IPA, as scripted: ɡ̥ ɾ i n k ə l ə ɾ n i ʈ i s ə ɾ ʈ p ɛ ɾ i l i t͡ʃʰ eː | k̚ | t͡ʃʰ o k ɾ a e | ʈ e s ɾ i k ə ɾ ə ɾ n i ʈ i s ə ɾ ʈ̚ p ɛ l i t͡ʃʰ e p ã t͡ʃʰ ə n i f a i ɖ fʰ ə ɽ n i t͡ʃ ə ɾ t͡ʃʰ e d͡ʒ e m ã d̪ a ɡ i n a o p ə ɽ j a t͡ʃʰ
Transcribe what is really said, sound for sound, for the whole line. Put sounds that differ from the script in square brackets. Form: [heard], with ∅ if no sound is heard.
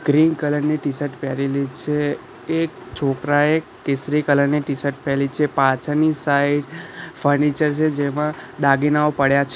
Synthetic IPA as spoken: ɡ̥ ɾ i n k ə l ə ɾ n i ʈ i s ə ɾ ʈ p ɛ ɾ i l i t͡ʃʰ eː | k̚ | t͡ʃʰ o k ɾ a e | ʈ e s ɾ i k ə [l] ə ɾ n i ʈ i s ə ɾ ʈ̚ p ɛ l i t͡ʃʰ e p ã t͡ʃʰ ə n i [s] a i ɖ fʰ ə [ɾ] n i t͡ʃ ə ɾ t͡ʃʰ e d͡ʒ e m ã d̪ a ɡ i n a o p ə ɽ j a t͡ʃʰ